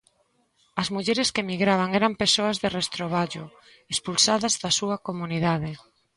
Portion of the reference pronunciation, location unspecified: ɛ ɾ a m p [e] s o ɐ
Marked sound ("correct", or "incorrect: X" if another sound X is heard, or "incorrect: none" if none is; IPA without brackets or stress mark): correct